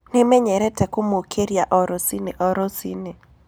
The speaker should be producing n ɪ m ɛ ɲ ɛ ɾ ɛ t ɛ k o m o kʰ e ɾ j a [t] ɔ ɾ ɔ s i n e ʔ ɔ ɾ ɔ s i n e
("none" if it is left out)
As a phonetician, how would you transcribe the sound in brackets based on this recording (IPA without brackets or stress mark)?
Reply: ʔ